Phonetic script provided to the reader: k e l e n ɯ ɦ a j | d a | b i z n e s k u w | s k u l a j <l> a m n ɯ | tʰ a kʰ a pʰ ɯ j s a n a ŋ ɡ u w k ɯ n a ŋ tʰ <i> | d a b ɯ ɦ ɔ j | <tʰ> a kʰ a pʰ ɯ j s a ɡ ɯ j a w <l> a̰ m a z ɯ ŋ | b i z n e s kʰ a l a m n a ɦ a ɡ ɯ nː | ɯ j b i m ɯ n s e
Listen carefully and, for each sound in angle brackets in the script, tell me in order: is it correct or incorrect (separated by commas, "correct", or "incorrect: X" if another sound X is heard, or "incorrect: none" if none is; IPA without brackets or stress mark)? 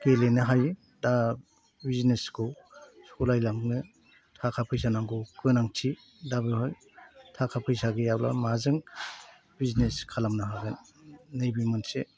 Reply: correct, correct, correct, correct